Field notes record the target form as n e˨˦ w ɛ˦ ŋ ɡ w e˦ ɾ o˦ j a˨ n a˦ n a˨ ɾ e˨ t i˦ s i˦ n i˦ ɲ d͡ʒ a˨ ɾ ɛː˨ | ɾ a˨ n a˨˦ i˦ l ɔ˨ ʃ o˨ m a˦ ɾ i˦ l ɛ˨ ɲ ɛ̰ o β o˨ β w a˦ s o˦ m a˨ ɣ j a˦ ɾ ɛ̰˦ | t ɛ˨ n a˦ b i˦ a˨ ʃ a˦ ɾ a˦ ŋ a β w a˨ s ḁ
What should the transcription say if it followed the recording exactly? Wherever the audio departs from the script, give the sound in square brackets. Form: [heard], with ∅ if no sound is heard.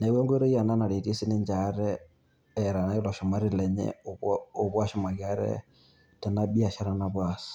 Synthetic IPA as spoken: n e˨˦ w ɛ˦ ŋ ɡ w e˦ ɾ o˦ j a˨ n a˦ n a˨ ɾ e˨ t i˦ s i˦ n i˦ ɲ d͡ʒ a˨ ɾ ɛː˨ | ɾ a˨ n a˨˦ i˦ l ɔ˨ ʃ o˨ m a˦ ɾ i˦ l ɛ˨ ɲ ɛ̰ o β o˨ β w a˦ [ʃ] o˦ m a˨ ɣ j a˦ ɾ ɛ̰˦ | t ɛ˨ n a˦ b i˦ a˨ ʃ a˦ ɾ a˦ [n] a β w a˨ s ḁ